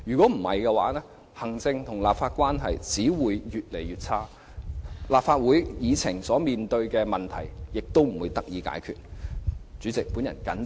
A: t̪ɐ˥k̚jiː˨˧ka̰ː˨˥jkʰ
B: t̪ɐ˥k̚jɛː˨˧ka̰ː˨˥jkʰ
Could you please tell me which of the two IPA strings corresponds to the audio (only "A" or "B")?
A